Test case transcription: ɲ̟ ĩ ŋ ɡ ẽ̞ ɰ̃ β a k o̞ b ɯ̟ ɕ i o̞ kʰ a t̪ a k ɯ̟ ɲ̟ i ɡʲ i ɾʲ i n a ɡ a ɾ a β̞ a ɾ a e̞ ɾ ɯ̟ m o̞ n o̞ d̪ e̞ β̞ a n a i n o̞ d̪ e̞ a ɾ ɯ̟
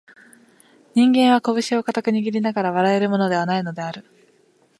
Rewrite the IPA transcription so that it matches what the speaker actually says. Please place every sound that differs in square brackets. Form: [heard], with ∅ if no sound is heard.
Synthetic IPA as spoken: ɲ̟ ĩ ŋ ɡ ẽ̞ ɰ̃ β a k o̞ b ɯ̟ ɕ i o̞ [k] a t̪ a k ɯ̟ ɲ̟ i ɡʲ i ɾʲ i n a ɡ a ɾ a β̞ a ɾ a e̞ ɾ ɯ̟ m o̞ n o̞ d̪ e̞ β̞ a n a i n o̞ d̪ e̞ a ɾ ɯ̟